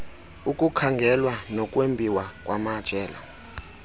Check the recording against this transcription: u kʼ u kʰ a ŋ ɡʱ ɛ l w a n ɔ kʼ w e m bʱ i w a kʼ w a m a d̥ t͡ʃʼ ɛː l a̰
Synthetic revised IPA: u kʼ u kʰ a ŋ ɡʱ ɛ l w a n ɔ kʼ w e m bʱ i w a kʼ w a m a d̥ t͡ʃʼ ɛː l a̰